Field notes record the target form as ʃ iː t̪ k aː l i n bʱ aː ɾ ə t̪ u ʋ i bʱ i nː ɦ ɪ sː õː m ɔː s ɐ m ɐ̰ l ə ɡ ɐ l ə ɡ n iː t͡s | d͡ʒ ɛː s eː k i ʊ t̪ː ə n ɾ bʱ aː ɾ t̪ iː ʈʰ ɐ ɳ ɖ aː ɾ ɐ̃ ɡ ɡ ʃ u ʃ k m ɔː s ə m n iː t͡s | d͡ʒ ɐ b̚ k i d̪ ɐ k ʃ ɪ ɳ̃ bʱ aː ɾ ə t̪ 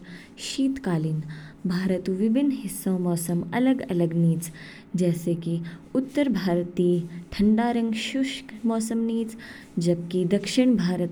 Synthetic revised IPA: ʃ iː t̪ k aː l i n bʱ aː ɾ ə t̪ u ʋ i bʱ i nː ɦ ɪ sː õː m ɔː s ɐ m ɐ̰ l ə ɡ ɐ l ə ɡ n iː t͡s | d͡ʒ ɛː s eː k i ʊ t̪ː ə ɾ bʱ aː ɾ t̪ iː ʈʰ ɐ ɳ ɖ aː ɾ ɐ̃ ŋ ɡ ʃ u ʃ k m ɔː s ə m n iː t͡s | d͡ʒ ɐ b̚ k i d̪ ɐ k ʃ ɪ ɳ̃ bʱ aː ɾ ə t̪